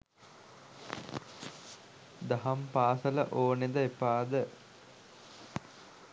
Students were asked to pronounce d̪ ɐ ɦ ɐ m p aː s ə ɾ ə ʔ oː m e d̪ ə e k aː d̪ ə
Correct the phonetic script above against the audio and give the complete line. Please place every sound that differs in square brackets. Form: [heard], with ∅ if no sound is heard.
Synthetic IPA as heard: d̪ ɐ ɦ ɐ m p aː s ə [l] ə ʔ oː [n] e d̪ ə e [p] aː d̪ ə